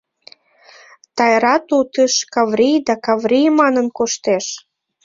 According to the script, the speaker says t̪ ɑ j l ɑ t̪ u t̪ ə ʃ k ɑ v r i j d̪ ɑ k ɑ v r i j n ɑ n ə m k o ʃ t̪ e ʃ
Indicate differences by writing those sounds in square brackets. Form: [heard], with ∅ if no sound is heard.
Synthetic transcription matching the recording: t̪ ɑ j [ɾ] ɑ t̪ u t̪ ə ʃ k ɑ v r i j d̪ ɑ k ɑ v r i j [m] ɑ n ə [n] k o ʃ t̪ e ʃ

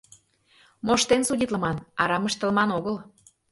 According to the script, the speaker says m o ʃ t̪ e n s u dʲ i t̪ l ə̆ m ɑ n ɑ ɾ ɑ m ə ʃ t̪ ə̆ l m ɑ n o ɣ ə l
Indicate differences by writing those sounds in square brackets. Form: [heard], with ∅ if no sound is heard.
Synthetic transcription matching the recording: m o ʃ t̪ e n s u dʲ i t̪ l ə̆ m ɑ n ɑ ɾ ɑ m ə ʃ t̪ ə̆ l m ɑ n o ɣ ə l

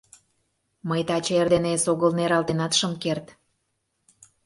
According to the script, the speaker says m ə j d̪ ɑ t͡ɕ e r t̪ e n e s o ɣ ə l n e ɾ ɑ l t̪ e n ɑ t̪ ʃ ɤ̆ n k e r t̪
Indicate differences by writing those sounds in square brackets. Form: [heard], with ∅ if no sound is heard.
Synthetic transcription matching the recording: m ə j [t̪] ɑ t͡ɕ e r [d̪] e n e s o ɣ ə l n e ɾ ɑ l t̪ e n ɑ t̪ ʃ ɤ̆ [m] k e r t̪

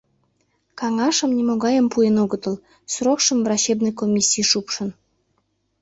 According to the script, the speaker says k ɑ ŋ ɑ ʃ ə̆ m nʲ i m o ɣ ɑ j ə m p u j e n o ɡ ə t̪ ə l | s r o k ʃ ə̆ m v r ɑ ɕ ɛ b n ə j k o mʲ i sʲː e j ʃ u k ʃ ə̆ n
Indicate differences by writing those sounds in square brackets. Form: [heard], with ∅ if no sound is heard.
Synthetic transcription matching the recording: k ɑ ŋ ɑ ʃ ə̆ m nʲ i m o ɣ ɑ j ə m p u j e n o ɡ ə t̪ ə l | s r o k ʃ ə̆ m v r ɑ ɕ [e] b n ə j k o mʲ i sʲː [i] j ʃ u [p] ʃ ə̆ n

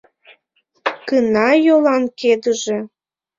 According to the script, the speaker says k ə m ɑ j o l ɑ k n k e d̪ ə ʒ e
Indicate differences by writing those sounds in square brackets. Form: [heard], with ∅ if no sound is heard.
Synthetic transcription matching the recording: k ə [n] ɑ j o l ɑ [∅] n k e d̪ ə ʒ e

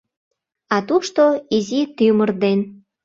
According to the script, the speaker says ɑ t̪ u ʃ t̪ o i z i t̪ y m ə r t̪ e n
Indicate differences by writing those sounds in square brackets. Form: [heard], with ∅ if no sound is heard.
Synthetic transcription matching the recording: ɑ t̪ u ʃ t̪ o i z i t̪ y m ə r [d̪] e n

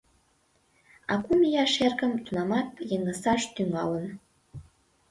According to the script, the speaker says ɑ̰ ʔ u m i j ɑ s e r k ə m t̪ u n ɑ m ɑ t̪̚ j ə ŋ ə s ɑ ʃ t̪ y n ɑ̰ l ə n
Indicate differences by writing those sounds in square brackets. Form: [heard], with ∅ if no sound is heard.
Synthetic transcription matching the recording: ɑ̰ [k] u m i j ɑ [ʃ] e r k ə m t̪ u n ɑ m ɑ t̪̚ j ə ŋ ə s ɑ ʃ t̪ y [ŋ] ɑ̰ l ə n

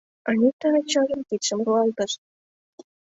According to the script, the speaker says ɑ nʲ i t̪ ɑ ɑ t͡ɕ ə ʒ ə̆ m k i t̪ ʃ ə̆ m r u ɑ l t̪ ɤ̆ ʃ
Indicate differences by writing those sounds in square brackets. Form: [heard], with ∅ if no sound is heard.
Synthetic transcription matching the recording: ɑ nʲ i t̪ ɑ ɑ t͡ɕ [ɑ] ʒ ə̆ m k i t̪ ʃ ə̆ m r u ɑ l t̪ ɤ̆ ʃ

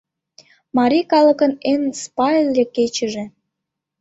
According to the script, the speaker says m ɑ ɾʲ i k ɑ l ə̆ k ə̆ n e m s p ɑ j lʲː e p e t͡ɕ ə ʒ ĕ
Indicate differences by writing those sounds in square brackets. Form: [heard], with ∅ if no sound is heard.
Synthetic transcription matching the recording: m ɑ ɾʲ i k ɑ l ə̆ k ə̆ n e [n] s p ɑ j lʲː e [k] e t͡ɕ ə ʒ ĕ

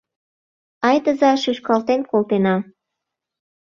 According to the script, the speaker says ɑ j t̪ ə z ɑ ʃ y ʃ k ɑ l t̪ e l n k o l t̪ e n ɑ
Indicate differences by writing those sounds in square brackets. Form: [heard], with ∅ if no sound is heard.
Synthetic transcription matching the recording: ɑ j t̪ ə z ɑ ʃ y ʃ k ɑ l t̪ e [∅] n k o l t̪ e n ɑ

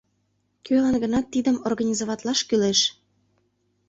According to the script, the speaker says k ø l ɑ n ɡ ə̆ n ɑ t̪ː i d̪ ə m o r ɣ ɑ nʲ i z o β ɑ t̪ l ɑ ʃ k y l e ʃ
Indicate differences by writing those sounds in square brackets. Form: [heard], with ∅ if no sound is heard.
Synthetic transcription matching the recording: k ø l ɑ n ɡ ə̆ n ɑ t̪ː i d̪ ə m o r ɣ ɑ nʲ i z o β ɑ t̪ l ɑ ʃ k y l e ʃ

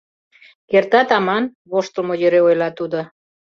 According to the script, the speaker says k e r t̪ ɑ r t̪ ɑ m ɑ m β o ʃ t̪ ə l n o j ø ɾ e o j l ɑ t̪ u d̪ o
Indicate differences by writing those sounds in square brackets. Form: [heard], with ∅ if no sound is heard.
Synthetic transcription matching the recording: k e r t̪ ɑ [∅] t̪ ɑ m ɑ [n] β o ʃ t̪ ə l [m] o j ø ɾ e o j l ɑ t̪ u d̪ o

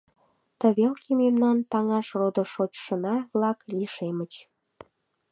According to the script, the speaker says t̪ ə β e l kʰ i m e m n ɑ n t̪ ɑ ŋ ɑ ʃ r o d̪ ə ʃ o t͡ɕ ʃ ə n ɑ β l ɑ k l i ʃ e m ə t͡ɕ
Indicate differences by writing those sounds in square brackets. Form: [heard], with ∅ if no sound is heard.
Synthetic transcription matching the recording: t̪ ə β e l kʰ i m e m n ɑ n t̪ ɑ ŋ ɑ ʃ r o d̪ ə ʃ o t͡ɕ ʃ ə n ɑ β l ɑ k l i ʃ e m ə t͡ɕ

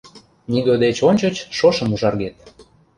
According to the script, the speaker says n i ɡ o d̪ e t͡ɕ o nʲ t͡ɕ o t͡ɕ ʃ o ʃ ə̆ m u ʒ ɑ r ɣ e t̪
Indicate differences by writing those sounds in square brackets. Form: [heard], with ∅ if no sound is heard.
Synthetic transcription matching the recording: n i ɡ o d̪ e t͡ɕ o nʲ t͡ɕ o t͡ɕ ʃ o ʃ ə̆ m u ʒ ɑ r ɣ e t̪

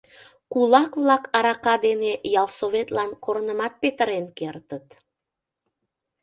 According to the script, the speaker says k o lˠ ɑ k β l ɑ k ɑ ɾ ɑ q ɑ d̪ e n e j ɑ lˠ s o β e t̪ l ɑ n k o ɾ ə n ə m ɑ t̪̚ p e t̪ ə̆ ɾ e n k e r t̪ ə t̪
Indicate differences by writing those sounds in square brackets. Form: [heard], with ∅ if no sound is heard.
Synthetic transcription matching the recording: k [u] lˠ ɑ k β l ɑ k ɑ ɾ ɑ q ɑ d̪ e n e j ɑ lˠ s o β e t̪ l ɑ n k o ɾ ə n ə m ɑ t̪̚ p e t̪ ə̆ ɾ e n k e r t̪ ə t̪

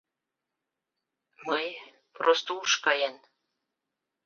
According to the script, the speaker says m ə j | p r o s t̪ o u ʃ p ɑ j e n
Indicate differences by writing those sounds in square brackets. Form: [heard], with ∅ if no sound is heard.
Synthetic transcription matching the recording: m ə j | p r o s t̪ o u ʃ [k] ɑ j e n

